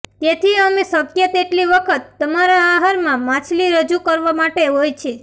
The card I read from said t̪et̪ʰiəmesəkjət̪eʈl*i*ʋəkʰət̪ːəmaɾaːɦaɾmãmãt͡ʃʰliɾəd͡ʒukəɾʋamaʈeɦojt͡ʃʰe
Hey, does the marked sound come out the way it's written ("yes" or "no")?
yes